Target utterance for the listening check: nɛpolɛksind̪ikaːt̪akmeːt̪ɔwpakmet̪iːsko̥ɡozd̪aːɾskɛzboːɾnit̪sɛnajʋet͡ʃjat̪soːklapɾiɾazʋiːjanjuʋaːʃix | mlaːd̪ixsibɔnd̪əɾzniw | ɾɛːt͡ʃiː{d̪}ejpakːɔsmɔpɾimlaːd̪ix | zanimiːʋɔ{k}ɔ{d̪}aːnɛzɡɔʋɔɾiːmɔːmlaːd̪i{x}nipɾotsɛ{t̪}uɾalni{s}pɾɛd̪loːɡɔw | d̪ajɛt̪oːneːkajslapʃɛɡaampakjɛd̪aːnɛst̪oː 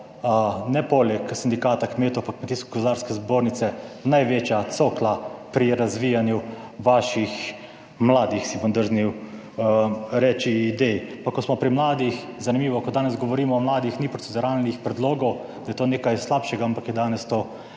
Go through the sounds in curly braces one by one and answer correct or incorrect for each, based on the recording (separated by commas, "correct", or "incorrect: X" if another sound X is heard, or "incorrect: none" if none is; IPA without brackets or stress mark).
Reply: correct, correct, correct, correct, incorrect: d̪, incorrect: x